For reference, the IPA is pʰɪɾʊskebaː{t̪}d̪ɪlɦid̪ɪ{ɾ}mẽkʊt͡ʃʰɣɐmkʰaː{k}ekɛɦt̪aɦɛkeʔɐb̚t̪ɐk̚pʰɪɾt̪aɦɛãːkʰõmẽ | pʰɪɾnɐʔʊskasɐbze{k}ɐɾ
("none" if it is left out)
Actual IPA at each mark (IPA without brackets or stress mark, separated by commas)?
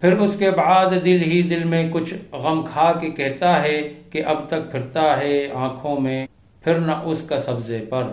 d̪, l, k, p